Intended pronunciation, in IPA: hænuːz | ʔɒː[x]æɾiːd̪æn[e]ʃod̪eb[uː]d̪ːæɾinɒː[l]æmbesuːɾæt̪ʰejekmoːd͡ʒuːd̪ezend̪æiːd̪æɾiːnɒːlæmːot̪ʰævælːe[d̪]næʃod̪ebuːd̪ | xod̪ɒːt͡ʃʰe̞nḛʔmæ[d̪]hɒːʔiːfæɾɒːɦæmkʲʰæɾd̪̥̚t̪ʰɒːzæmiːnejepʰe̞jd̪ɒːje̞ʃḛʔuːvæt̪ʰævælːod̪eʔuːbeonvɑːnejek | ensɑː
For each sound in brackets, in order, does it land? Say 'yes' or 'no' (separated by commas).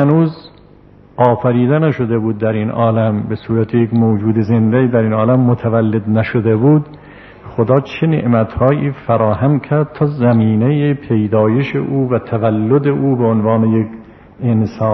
no, no, yes, yes, yes, no